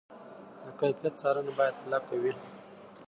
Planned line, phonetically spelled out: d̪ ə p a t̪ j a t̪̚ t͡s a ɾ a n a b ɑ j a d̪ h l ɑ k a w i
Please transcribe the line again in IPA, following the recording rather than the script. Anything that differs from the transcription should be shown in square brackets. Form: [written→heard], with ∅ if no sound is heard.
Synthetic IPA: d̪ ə [p→k] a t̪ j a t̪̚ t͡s [a→ɑ] ɾ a n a b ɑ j a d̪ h l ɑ k a w i